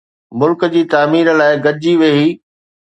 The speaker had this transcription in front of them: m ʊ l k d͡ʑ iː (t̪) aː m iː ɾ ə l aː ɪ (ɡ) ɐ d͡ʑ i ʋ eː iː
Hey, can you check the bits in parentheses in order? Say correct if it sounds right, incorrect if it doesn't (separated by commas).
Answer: correct, correct